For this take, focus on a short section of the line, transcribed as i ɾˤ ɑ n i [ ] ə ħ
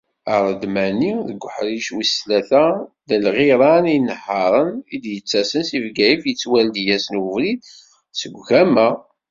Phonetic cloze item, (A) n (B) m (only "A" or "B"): A